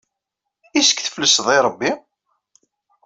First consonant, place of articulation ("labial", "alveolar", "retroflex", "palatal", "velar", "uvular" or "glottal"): alveolar